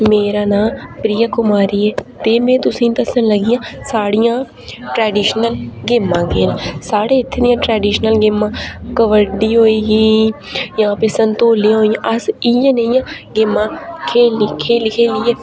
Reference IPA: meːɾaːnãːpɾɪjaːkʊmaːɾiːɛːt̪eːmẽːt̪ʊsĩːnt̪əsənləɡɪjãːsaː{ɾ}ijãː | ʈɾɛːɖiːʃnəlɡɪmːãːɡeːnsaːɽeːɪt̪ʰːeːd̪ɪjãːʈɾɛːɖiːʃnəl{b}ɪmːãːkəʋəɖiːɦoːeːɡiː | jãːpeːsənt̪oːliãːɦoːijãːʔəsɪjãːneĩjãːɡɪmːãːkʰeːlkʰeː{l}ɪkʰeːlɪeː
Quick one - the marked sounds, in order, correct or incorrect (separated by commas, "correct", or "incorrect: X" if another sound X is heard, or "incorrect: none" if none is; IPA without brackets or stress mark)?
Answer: incorrect: ɽ, incorrect: ɡ, correct